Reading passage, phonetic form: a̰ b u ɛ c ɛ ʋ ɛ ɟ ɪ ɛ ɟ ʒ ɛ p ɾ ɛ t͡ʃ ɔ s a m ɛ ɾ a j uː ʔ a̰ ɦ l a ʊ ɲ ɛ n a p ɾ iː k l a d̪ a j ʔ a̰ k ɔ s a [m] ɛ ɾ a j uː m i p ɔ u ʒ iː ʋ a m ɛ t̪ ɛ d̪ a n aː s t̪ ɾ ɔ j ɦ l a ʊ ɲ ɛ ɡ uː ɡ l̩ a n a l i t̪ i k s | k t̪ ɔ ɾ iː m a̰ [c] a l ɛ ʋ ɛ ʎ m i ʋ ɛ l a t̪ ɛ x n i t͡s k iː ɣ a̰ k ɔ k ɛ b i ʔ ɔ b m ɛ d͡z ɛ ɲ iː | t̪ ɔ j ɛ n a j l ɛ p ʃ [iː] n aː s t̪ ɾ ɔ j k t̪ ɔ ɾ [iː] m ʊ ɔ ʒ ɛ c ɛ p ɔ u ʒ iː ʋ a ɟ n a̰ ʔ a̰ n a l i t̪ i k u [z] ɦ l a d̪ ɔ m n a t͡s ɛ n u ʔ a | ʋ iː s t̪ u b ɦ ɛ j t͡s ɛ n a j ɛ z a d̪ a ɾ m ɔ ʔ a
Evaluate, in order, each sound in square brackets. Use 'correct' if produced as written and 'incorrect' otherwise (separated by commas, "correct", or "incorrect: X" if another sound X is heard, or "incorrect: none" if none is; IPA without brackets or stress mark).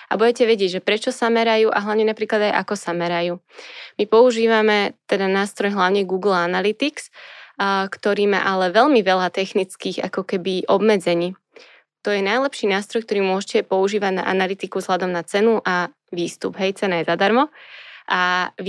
correct, incorrect: ʔ, correct, correct, correct